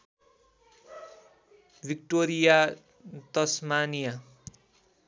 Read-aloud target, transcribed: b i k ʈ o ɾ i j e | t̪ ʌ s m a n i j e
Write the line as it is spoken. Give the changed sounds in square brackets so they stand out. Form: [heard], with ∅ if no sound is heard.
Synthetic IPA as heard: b i k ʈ o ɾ i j [a] | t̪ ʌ s m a n i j [a]

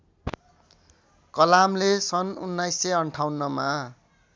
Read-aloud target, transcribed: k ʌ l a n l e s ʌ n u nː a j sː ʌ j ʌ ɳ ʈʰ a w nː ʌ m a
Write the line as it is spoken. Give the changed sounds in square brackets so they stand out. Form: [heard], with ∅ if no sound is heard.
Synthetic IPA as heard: k ʌ l a [m] l e s ʌ n u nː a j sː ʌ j ʌ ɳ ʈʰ a w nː ʌ m a

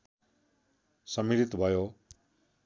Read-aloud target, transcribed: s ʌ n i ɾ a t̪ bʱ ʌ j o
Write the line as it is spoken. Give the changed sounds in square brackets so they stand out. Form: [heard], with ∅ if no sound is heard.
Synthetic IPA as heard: s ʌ [m] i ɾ [i] t̪ bʱ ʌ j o

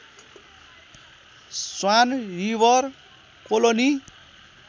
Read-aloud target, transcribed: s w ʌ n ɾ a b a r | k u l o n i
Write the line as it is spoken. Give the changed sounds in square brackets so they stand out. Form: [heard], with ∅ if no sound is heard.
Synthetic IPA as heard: s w [a] n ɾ [i] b [ʌ] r | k [o] l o n i

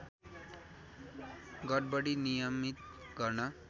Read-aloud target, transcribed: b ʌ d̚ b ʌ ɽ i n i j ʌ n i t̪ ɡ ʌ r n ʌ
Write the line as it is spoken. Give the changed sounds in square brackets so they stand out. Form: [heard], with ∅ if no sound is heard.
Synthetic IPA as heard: [ɡ] ʌ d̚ b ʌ ɽ i n i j ʌ [m] i t̪ ɡ ʌ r n ʌ

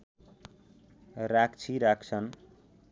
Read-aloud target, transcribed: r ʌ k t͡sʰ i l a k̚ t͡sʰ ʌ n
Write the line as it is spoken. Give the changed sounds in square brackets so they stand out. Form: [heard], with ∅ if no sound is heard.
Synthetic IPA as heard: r [a] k t͡sʰ i [ɾ] a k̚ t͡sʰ ʌ n

